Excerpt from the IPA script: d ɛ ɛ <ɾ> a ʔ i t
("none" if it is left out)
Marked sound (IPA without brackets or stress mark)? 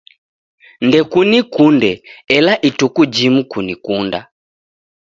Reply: l